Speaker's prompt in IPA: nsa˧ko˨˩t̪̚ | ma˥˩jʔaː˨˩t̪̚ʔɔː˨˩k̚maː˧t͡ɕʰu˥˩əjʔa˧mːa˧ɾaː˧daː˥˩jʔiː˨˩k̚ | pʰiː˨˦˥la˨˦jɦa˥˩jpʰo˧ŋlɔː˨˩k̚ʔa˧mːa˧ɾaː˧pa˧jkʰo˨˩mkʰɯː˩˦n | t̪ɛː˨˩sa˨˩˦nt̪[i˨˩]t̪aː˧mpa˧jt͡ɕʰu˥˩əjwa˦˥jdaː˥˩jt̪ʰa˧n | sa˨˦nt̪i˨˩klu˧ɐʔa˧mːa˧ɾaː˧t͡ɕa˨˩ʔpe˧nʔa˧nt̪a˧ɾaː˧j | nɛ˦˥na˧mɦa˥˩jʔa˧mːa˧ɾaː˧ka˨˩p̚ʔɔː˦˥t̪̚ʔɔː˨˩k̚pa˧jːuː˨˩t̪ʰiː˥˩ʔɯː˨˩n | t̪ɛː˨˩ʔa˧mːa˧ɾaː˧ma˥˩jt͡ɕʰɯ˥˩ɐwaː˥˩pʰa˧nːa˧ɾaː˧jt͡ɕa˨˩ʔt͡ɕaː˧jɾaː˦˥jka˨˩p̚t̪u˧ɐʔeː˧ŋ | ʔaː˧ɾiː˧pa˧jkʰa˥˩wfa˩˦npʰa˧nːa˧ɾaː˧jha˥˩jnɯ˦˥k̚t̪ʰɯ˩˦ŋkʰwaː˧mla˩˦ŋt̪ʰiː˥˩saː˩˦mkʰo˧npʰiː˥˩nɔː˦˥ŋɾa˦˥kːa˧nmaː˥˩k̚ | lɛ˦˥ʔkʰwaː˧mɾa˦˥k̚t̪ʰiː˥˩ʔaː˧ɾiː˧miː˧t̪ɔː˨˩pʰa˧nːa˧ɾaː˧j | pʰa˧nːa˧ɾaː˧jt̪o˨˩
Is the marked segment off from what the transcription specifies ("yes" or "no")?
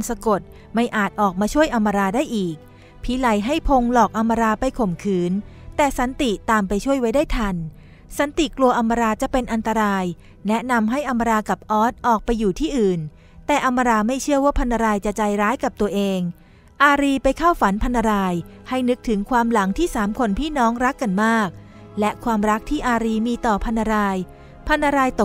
no